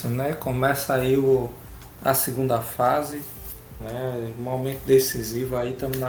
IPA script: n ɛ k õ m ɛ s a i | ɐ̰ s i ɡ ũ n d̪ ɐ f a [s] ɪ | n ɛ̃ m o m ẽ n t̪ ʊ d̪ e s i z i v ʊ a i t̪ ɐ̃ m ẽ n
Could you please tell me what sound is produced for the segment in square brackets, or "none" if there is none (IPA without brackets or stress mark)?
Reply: z